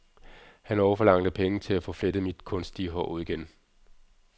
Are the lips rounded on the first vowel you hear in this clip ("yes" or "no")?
no